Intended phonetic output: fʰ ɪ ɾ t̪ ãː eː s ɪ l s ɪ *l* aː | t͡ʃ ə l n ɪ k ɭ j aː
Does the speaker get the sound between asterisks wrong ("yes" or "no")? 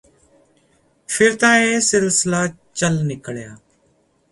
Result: no